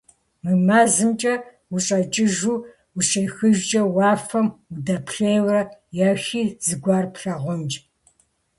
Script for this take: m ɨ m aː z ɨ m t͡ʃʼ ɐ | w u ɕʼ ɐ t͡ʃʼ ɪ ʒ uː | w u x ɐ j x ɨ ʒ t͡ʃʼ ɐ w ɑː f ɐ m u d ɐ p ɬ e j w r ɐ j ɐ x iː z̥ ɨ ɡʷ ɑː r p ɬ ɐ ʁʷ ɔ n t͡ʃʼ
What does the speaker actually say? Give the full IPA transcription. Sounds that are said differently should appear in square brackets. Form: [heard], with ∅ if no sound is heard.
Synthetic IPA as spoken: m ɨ m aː z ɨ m t͡ʃʼ ɐ | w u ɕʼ ɐ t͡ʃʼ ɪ ʒ uː | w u [ɕ] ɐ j x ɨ ʒ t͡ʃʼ ɐ w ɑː f ɐ m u d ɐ p ɬ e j w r ɐ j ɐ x iː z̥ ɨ ɡʷ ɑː r p ɬ ɐ ʁʷ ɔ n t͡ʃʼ